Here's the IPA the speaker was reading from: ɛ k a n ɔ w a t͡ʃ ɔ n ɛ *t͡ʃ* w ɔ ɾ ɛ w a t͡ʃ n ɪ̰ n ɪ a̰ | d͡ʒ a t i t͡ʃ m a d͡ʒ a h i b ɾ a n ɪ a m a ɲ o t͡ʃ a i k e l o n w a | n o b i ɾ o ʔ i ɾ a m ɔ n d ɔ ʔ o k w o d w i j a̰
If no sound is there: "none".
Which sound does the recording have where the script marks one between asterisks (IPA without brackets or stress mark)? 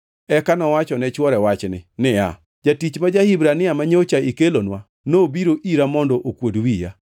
t͡ʃ